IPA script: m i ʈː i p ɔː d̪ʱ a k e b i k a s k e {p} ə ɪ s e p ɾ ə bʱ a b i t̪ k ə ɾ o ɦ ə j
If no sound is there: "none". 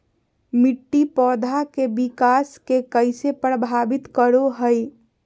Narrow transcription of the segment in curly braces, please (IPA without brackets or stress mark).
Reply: k